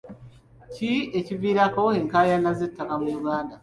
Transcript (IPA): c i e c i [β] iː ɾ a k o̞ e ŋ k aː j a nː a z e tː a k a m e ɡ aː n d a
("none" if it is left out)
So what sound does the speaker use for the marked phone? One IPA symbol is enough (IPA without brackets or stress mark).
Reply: v